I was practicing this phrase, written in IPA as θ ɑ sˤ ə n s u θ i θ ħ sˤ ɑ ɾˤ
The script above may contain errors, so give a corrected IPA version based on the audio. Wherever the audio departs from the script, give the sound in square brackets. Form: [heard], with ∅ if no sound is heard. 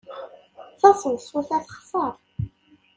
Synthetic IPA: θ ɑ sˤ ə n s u θ [æ] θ [χ] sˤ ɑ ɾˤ

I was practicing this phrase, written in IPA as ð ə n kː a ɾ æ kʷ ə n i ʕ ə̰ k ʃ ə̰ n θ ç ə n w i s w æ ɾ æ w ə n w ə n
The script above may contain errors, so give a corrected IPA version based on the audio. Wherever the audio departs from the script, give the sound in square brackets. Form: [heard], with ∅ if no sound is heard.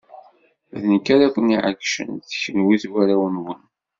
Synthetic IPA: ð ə n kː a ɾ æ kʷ ə n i ʕ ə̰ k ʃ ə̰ n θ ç ə n w i [θ] w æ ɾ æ w ə n w ə n

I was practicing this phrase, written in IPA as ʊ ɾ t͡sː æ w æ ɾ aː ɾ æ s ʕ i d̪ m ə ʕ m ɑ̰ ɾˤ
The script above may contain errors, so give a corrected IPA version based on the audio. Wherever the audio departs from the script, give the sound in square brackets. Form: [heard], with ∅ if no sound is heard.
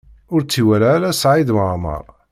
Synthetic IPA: ʊ ɾ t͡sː [i] w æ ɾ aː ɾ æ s ʕ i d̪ m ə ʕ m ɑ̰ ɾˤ

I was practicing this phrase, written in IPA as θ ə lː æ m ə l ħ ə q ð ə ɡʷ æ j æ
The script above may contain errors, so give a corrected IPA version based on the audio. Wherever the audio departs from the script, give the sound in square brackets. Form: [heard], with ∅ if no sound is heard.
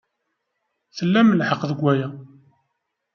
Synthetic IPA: θ ə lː æ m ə l ħ ə q ð ə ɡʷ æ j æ

